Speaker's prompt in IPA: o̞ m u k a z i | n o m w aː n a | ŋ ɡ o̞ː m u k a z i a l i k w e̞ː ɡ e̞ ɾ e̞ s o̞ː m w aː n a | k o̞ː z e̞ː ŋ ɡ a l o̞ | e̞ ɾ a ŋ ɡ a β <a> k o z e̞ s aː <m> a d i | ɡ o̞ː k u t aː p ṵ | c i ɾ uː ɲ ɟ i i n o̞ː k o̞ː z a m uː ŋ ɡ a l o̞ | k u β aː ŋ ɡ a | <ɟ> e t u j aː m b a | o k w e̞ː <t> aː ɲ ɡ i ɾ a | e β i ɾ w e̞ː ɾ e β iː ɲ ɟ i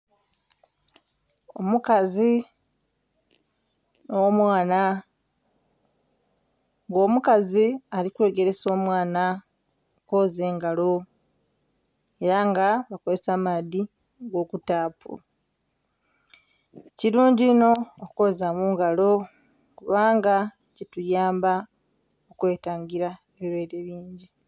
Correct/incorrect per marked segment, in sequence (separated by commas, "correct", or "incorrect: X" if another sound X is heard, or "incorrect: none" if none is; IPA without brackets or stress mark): correct, correct, incorrect: c, correct